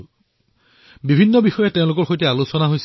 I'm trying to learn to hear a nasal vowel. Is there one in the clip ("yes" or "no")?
yes